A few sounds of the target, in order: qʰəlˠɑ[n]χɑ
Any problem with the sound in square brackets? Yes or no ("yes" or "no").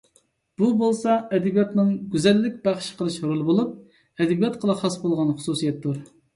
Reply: yes